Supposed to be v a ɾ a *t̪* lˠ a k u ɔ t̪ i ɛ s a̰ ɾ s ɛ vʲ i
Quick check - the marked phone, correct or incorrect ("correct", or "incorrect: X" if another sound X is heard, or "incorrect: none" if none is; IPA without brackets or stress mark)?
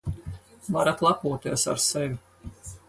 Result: correct